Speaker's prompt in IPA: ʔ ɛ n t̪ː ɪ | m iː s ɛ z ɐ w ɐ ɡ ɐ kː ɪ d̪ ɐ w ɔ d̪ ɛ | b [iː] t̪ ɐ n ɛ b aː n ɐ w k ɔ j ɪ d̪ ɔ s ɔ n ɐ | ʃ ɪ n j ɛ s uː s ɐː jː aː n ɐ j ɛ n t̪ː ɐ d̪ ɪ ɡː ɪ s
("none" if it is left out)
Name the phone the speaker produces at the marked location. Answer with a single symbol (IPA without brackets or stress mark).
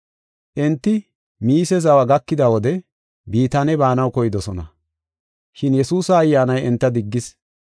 iː